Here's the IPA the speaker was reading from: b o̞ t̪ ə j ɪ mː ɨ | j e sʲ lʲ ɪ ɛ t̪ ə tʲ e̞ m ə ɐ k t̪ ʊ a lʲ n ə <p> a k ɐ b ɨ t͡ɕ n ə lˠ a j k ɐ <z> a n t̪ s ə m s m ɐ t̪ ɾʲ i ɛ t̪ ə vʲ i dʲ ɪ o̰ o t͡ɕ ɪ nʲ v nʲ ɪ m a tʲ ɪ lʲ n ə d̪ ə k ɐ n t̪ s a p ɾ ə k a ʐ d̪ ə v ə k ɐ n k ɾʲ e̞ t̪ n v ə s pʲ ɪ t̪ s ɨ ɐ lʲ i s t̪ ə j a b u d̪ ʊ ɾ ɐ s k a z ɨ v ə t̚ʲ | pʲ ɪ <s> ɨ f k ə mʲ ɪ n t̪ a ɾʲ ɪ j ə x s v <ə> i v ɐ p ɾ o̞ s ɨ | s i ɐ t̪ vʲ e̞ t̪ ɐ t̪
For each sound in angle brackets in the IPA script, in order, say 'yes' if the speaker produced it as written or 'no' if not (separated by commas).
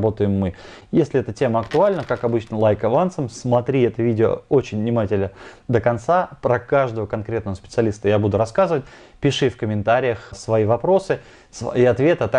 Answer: no, no, no, no